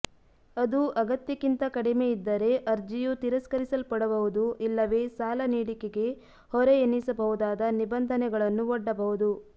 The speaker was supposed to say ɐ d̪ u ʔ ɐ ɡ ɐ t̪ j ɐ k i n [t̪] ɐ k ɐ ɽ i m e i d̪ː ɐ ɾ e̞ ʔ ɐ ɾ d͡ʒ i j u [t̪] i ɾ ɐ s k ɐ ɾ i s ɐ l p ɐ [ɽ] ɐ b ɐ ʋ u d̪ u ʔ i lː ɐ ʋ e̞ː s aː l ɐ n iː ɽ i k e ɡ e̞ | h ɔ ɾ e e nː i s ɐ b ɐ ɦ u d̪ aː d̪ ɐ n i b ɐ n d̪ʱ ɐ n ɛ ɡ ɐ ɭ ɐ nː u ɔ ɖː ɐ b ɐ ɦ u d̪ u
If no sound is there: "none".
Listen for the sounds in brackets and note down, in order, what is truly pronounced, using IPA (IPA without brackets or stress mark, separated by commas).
t̪, t̪, ɽ